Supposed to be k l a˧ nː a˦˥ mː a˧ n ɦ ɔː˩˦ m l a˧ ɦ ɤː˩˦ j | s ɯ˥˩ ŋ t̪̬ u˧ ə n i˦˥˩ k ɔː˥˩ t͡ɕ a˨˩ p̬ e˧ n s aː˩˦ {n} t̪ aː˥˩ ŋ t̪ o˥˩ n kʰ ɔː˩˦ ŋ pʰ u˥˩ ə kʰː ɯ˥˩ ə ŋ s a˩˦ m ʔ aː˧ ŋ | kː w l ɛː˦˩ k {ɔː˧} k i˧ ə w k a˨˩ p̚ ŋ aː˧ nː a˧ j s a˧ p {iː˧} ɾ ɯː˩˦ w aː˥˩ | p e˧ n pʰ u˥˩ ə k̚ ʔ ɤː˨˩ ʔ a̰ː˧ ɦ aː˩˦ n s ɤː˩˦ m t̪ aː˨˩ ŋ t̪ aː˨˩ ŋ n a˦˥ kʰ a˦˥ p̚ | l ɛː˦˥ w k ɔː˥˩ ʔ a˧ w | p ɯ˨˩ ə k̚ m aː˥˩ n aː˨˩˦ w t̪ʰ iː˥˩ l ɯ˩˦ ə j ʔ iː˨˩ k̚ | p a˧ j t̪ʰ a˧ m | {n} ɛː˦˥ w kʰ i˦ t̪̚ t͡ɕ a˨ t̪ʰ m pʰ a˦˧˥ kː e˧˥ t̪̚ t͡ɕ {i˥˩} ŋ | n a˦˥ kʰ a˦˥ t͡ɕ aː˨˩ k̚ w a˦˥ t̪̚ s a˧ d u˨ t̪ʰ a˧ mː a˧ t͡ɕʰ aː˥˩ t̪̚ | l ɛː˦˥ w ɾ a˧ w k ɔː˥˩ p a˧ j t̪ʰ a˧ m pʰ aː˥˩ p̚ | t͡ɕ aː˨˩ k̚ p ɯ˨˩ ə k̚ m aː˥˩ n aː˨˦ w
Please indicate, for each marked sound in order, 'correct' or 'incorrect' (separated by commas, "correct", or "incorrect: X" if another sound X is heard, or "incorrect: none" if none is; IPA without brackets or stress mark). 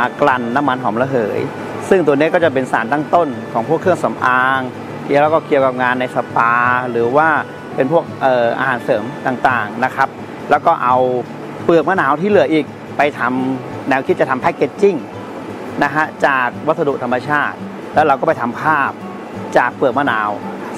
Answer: correct, incorrect: ɔː˥˩, incorrect: aː˧, correct, correct